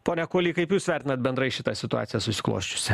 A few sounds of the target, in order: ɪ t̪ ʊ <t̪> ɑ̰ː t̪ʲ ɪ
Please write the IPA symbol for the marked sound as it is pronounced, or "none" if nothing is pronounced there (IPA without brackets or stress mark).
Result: none